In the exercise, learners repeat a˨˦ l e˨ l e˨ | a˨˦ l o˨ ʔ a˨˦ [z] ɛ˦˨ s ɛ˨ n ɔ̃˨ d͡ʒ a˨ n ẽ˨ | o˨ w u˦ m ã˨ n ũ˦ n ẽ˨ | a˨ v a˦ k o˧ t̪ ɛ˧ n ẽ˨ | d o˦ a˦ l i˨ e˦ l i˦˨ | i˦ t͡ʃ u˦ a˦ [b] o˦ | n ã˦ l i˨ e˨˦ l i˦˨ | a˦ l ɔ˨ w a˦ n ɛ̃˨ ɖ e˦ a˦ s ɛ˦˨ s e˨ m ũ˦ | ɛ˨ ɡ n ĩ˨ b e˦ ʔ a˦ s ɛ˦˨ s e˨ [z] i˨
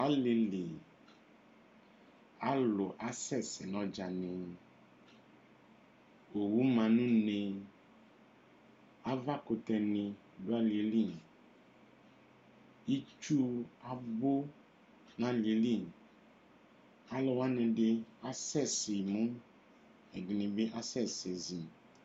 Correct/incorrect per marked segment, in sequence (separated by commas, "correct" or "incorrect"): incorrect, correct, correct